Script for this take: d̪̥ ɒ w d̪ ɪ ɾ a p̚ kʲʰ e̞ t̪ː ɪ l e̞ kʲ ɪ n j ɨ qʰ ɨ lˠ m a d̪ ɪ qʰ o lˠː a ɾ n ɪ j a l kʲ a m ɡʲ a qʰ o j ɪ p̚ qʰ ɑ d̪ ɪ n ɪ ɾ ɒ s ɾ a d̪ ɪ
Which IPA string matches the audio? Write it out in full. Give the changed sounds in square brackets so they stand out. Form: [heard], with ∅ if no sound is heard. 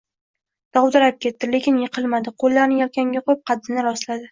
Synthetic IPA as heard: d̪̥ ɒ w d̪ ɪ ɾ a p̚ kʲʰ e̞ t̪ː ɪ l e̞ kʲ ɪ n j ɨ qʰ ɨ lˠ m a d̪ ɪ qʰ o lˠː a ɾ n ɪ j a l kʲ a [ŋ] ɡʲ a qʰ o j ɪ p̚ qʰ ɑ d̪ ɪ n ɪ ɾ ɒ s [l] a d̪ ɪ